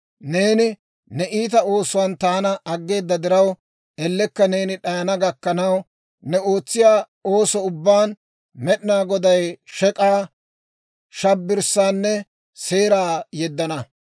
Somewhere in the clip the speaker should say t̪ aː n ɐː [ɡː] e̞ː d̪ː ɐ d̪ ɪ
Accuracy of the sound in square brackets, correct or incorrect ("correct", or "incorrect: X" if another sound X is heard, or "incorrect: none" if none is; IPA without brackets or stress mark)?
correct